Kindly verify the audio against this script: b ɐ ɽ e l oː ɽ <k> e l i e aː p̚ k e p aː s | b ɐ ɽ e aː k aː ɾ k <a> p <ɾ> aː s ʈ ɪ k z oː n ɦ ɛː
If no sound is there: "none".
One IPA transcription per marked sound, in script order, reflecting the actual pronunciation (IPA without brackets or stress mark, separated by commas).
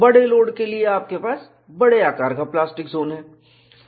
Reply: k, a, l